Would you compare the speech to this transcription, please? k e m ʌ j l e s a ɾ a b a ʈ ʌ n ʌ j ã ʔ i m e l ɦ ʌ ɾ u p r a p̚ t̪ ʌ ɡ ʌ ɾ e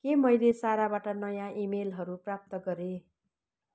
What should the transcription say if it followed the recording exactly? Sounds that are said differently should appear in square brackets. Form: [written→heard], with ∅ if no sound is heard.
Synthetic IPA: k e m ʌ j l e s a ɾ a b a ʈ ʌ n ʌ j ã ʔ i m e l ɦ ʌ ɾ u p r a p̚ t̪ ʌ ɡ ʌ ɾ e